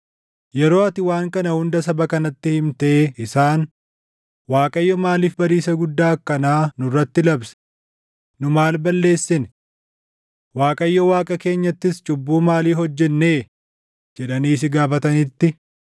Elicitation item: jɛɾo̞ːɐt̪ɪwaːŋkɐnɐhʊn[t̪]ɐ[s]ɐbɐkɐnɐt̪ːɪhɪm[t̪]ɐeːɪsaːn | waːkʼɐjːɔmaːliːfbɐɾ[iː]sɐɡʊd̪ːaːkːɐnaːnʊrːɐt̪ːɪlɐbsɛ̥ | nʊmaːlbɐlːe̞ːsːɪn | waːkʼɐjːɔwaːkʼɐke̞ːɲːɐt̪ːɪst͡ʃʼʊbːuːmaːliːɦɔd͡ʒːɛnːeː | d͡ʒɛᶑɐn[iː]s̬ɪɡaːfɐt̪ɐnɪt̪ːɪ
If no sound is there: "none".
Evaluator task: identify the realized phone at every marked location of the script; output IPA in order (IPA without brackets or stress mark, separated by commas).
d̪, s, t̪, iː, iː